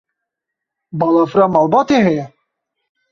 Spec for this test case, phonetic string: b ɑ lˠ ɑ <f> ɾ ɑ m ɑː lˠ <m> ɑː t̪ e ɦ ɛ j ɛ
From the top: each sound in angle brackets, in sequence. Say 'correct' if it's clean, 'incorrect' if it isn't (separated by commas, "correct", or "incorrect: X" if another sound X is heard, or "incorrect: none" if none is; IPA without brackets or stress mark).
correct, incorrect: b